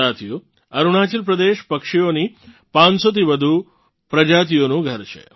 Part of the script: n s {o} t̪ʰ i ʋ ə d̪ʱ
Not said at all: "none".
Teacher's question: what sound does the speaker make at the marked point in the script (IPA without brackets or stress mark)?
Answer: o